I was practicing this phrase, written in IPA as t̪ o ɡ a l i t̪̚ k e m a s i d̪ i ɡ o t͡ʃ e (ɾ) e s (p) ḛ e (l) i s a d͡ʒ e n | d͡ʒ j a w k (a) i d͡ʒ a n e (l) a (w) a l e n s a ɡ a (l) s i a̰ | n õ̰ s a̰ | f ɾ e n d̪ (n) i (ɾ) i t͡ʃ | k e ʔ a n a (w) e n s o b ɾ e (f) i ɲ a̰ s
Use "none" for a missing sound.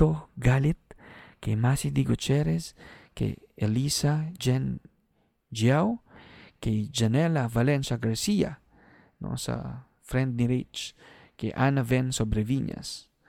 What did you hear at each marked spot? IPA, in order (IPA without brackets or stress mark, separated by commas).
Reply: ɾ, k, l, e, l, v, ɾ, n, ɾ, v, v